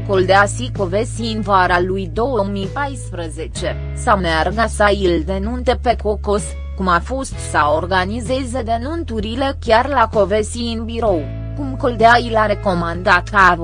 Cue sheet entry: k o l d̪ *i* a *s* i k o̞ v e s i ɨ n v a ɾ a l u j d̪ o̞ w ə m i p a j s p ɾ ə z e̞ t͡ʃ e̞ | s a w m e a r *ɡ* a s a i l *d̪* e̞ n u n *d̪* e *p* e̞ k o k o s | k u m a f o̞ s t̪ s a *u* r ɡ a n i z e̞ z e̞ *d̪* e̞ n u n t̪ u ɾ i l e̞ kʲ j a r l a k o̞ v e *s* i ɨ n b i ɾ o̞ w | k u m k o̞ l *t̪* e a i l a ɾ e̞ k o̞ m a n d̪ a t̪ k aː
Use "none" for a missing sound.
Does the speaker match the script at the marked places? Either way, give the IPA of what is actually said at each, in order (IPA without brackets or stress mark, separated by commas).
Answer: e, s, ɡ, d̪, t̪, p, o, d̪, s, d̪